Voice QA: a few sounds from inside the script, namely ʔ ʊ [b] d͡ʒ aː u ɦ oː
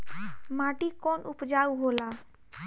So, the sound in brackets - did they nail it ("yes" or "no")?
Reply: no